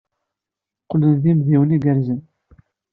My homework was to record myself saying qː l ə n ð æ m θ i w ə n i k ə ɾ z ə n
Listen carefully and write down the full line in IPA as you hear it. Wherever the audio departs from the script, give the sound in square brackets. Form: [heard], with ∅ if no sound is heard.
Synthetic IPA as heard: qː l ə n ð [i] m [ð] i w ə n i [ɡ] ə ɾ z ə n